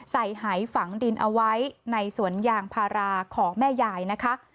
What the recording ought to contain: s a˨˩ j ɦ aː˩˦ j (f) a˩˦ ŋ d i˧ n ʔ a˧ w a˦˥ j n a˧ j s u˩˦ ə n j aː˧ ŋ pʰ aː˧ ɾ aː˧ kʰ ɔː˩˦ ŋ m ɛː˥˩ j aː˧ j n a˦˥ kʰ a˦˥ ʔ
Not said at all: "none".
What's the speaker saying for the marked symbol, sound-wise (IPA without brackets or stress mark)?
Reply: f